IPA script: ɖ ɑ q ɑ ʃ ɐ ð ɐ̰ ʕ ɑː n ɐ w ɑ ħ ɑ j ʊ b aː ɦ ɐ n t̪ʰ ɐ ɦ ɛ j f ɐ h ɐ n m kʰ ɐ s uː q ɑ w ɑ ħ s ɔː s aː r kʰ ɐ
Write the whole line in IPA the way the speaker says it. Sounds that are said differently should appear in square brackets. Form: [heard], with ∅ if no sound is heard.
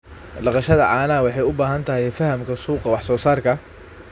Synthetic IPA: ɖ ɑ q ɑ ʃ ɐ ð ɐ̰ ʕ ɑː n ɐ w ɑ ħ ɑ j ʊ b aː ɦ ɐ n t̪ʰ ɐ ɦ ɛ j f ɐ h ɐ [∅] m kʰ ɐ s uː q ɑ w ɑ ħ s ɔː s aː r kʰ ɐ